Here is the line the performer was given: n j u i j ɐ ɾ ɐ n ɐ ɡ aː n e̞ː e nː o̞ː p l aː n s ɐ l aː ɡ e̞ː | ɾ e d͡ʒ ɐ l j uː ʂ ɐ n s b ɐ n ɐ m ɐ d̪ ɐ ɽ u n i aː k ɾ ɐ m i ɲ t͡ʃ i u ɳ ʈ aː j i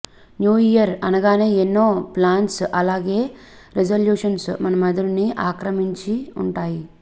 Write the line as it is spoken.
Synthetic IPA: n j uː i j ɐ ɾ ɐ n ɐ ɡ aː n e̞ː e nː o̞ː p l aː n s ɐ l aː ɡ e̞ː | ɾ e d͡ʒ ɐ l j uː ʂ ɐ n s m ɐ n ɐ m ɐ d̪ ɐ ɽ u n i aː k ɾ ɐ m i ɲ t͡ʃ i u ɳ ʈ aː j i